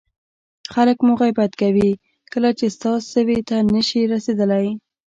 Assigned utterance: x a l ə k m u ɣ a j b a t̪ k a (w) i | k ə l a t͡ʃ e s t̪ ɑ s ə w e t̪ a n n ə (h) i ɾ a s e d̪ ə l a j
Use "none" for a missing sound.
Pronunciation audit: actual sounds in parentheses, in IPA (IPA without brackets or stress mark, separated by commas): w, ʃ